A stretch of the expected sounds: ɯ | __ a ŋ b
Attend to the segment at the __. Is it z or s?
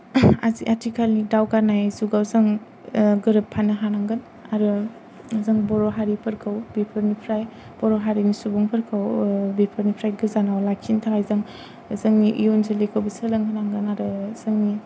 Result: z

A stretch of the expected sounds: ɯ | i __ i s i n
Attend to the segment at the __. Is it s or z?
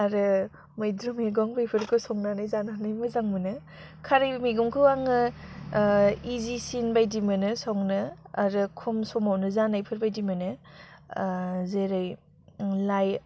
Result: z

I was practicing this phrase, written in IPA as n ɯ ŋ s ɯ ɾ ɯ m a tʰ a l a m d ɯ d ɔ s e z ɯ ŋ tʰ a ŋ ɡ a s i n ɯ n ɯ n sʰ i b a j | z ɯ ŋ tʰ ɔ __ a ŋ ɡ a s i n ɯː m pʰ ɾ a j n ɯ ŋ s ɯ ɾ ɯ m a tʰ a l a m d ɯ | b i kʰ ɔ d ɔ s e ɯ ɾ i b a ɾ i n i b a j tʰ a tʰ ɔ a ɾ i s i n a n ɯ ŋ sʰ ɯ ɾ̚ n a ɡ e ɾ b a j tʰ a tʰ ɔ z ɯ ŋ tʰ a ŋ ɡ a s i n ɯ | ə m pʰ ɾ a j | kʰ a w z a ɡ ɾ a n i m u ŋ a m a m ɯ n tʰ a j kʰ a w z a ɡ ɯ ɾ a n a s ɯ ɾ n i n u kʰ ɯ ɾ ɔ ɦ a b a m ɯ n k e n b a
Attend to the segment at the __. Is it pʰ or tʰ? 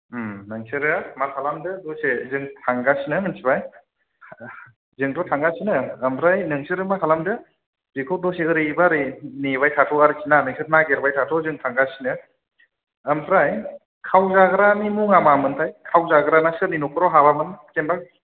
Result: tʰ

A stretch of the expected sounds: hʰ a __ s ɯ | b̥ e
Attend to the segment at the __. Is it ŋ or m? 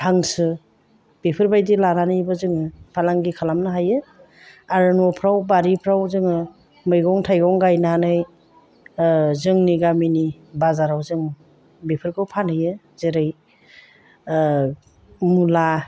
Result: ŋ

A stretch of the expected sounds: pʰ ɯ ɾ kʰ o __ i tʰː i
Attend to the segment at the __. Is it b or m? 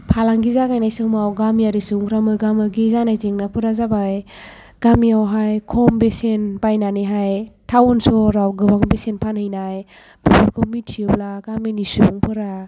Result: m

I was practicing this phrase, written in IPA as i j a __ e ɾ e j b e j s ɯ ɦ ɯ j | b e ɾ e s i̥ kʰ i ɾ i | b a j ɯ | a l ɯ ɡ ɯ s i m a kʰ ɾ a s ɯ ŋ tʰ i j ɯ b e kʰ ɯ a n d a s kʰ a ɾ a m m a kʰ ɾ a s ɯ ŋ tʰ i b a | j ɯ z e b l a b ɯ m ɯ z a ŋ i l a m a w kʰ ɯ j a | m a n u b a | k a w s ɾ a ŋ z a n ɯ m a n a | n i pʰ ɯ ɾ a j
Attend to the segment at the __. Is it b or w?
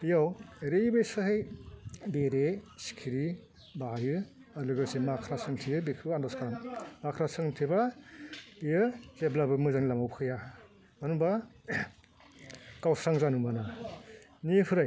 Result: w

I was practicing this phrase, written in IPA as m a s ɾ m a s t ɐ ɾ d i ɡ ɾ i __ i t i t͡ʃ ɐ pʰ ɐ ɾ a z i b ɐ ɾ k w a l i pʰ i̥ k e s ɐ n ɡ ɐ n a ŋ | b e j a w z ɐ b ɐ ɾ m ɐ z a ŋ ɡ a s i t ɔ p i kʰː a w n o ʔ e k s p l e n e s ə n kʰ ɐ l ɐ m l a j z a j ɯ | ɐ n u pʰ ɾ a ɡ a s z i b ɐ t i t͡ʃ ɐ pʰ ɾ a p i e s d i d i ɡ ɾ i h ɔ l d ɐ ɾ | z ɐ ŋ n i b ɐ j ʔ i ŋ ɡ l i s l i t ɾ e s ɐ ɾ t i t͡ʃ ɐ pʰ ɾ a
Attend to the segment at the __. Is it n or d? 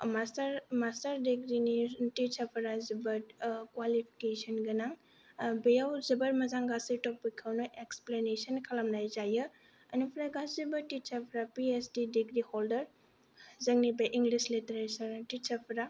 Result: n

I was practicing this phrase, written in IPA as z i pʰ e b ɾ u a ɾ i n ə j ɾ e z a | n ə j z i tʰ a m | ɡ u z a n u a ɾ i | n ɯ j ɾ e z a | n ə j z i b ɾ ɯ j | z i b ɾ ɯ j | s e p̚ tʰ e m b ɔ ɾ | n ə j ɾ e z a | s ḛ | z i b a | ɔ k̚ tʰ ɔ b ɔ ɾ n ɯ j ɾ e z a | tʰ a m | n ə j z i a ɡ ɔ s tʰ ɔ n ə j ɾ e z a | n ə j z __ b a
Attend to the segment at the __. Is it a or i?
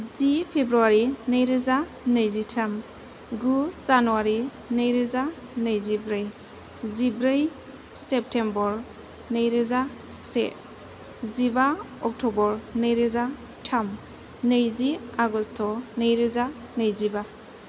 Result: i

